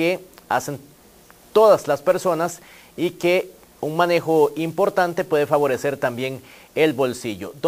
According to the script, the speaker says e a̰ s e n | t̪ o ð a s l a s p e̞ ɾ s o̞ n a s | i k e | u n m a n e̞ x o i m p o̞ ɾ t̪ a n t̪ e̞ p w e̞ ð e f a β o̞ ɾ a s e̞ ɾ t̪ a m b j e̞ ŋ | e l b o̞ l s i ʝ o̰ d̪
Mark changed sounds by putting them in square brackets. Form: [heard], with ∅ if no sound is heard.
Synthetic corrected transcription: e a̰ s e n | t̪ o ð a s l a s p e̞ ɾ s o̞ n a s | i k e | u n m a n e̞ x o i m p o̞ ɾ t̪ a n t̪ e̞ p w e̞ ð e f a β o̞ ɾ [e] s e̞ ɾ t̪ a m b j e̞ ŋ | e l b o̞ l s i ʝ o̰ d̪